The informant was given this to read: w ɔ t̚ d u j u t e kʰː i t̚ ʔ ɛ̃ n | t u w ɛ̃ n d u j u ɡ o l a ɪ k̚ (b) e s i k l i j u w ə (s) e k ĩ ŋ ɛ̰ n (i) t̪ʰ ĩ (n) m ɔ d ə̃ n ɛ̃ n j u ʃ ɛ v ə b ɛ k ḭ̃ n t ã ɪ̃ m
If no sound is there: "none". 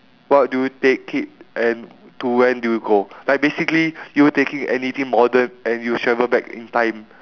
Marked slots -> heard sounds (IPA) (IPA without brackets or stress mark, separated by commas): b, t, i, ŋ